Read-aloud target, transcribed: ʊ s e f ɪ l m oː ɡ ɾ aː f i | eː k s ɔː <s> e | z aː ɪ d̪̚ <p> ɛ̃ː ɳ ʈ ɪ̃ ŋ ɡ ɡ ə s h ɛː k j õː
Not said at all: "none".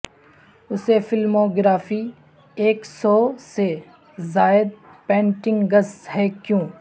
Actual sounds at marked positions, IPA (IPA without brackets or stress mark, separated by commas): s, p